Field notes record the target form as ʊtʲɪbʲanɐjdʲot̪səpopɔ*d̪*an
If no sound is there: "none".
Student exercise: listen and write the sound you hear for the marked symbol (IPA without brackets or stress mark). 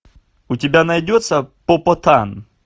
t̪